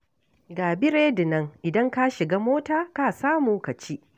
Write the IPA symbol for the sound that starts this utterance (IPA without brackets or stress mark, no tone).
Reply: ɡ